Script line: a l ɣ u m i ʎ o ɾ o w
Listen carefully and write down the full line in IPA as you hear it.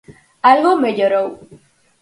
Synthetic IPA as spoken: a l ɣ o m e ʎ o ɾ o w